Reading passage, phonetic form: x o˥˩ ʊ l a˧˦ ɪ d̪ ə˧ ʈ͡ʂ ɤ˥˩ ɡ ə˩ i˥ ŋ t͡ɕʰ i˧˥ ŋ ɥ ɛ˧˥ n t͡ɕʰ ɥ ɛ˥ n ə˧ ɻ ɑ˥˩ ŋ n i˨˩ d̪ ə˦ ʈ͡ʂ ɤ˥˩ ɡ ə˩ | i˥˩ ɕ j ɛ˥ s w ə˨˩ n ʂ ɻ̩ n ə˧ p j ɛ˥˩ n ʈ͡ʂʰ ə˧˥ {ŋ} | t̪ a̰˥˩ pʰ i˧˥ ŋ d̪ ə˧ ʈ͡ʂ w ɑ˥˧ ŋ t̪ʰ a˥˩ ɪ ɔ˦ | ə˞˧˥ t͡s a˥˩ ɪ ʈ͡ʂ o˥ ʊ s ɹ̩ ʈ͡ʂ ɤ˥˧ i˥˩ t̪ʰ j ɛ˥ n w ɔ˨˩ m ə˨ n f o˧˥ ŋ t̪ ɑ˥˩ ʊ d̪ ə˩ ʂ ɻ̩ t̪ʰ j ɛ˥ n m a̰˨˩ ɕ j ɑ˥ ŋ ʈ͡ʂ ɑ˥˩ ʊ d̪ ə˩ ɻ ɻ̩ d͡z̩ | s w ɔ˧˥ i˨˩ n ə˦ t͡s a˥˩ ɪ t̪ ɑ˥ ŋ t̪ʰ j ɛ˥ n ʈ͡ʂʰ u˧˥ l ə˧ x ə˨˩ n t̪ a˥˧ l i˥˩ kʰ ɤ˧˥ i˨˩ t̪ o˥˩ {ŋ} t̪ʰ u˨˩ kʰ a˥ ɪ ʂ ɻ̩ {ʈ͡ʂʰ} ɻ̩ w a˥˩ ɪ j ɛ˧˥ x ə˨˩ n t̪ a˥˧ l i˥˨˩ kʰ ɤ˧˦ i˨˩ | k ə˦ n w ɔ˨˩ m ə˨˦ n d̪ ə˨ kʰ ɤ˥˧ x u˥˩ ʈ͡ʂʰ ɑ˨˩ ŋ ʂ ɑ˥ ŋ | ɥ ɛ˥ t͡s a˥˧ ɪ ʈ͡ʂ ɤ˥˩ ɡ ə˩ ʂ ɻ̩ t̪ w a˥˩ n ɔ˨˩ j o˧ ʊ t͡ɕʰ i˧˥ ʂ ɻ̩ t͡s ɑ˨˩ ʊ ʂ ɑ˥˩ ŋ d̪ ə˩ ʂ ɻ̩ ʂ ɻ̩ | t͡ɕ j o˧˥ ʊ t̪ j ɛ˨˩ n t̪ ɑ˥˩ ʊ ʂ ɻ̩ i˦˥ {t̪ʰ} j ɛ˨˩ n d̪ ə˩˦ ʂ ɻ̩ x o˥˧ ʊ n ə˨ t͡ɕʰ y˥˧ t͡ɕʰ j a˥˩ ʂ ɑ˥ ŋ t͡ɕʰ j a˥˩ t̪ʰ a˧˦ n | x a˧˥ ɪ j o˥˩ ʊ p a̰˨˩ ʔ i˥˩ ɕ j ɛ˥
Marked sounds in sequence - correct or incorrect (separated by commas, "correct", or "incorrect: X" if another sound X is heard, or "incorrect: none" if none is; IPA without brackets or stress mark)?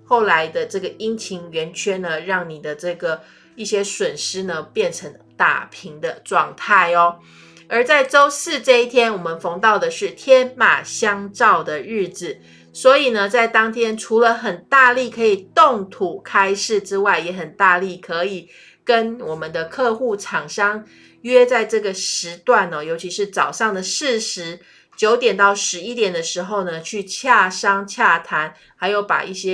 correct, correct, incorrect: ʈ͡ʂ, incorrect: t̪